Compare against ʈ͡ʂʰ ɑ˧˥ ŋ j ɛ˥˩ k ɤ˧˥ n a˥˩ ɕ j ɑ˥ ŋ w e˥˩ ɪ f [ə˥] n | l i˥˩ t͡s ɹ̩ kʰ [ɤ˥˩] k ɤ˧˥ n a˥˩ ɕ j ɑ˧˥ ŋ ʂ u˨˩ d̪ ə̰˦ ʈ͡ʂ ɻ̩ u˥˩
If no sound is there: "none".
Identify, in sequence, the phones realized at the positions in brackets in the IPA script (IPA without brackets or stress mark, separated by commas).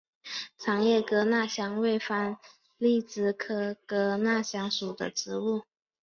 a˥, ɤ˥